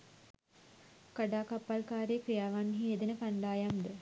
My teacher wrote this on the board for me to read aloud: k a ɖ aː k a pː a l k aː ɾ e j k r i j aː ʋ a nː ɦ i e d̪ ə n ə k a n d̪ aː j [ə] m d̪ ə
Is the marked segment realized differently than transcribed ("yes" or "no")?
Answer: yes